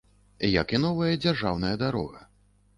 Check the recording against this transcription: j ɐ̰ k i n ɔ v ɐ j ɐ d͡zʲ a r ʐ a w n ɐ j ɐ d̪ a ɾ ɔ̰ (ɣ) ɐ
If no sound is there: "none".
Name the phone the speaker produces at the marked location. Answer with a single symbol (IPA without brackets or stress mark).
ɣ